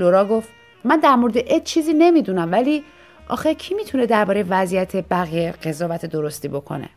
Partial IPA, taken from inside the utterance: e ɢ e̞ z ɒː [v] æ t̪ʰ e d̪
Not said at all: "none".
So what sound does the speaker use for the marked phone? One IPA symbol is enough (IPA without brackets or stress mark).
v